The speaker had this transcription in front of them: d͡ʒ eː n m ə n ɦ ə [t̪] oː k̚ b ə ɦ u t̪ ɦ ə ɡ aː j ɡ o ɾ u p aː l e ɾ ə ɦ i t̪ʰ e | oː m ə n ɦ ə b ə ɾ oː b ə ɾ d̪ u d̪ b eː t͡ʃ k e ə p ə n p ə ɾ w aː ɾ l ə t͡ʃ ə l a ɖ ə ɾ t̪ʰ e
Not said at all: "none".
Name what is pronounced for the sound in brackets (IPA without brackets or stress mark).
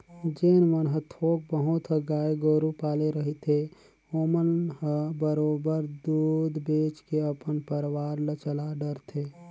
t̪ʰ